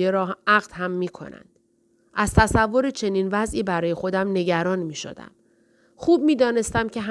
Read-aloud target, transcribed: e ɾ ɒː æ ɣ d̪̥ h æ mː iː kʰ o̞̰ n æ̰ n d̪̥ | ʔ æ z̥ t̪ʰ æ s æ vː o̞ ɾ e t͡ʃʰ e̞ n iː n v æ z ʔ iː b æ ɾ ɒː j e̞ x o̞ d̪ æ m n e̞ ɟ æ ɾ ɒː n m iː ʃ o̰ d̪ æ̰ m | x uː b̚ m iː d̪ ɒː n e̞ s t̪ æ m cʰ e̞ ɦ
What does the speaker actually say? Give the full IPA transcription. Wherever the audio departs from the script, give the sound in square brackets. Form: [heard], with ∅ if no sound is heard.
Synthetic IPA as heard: e ɾ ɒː æ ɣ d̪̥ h æ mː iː kʰ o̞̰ n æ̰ n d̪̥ | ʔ æ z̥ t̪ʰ æ s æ vː o̞ ɾ e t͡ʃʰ e̞ n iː n v æ z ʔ iː b æ ɾ ɒː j e̞ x o̞ d̪ æ m n e̞ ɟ æ ɾ ɒː n m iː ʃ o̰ d̪ æ̰ m | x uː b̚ m iː d̪ ɒː n e̞ s t̪ æ m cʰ e̞ ɦ